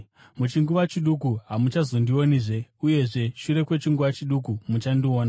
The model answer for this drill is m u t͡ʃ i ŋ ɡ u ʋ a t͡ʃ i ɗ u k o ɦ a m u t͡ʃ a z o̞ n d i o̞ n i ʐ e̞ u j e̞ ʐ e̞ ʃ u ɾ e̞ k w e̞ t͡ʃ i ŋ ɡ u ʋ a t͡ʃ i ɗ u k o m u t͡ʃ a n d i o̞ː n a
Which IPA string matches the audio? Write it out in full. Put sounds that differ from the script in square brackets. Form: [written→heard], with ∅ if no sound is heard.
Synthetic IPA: m u t͡ʃ i ŋ ɡ u ʋ a t͡ʃ i ɗ u k [o→u] ɦ a m u t͡ʃ a z o̞ n d i o̞ n i ʐ e̞ u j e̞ ʐ e̞ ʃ u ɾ e̞ k w e̞ t͡ʃ i ŋ ɡ u ʋ a t͡ʃ i ɗ u k [o→u] m u t͡ʃ a n d i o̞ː n a